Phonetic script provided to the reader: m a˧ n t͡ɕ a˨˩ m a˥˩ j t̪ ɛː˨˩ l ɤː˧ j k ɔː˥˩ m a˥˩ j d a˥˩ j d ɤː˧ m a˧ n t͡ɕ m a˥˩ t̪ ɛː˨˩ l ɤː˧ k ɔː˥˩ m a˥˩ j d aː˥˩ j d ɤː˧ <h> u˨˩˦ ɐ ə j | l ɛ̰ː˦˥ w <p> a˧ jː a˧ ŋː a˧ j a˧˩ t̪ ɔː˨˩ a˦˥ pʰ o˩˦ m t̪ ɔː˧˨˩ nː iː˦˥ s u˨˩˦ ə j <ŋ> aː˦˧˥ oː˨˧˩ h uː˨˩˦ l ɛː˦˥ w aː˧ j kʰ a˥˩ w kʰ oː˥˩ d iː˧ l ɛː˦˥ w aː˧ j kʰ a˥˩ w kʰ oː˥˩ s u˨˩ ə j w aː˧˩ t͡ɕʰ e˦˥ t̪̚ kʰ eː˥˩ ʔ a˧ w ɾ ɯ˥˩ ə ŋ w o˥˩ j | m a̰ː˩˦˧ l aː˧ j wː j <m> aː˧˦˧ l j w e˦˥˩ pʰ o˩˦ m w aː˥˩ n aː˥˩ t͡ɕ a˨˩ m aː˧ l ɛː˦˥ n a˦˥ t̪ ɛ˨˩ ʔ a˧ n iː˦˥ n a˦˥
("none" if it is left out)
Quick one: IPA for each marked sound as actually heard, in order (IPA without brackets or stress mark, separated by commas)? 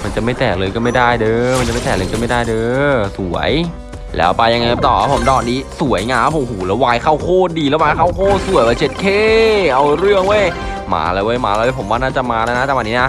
s, p, ŋ, m